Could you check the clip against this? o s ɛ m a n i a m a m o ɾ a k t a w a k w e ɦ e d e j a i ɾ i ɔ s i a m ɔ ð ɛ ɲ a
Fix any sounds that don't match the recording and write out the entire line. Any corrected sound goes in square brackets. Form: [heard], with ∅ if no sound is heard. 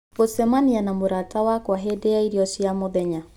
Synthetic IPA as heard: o s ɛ m a n i a [n] a m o ɾ a [∅] t a w a k w [a] ɦ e d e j a i ɾ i ɔ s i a m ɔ ð ɛ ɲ a

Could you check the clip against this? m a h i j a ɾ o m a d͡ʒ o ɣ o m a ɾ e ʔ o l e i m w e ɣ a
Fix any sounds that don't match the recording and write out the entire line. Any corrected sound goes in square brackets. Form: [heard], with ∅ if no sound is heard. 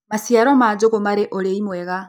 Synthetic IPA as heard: m a [s] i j a ɾ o m a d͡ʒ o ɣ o m a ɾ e ʔ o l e i m w e ɣ a

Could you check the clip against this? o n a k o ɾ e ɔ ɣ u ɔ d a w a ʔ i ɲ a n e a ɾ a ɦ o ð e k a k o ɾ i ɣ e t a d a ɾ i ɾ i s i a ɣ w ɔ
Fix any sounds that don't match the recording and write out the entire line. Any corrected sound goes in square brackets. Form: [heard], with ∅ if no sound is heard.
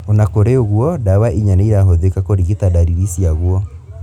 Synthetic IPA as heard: o n a k o ɾ e [o] ɣ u ɔ d a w a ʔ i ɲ a n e [i] ɾ a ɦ o ð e k a k o ɾ i ɣ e t a d a ɾ i ɾ i s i a ɣ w ɔ

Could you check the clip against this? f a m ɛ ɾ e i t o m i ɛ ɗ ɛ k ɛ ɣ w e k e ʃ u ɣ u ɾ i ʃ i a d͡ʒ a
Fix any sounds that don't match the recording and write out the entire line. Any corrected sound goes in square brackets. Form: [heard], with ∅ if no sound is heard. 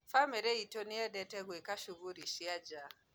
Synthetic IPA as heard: f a m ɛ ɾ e i t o [n] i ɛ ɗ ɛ [t] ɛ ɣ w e k [a] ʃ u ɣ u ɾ i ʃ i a d͡ʒ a

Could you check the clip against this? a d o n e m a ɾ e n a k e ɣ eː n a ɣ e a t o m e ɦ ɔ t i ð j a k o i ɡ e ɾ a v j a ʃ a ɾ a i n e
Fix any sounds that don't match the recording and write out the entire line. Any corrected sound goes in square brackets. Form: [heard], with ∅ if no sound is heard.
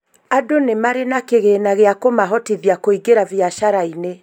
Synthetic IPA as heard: a d o n e m a ɾ e n a k e ɣ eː n a ɣ e a [k] o m [a] ɦ ɔ t i ð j a k o i ɡ e ɾ a v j a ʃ a ɾ a i n e

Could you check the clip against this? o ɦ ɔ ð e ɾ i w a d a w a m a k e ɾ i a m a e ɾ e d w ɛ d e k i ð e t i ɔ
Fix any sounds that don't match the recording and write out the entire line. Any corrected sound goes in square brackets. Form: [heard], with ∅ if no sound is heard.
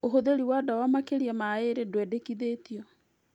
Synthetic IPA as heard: o ɦ [o] ð e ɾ i w a d a w a m a k e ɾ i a m a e ɾ e d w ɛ d e k i ð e t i ɔ

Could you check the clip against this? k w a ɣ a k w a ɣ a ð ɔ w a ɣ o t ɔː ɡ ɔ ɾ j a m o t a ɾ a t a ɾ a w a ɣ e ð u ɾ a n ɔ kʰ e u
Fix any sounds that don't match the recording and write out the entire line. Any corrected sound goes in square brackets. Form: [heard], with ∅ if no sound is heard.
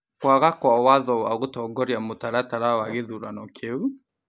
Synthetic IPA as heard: k w a ɣ a k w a [w] a ð ɔ w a ɣ o t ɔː ɡ ɔ ɾ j a m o t a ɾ a t a ɾ a w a ɣ e ð u ɾ a n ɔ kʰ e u

